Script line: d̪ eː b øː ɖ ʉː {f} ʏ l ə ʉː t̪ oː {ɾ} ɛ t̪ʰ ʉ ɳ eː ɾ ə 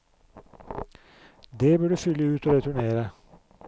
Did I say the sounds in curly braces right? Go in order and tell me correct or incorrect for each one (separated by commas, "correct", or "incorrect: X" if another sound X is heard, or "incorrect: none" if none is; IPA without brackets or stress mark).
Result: correct, correct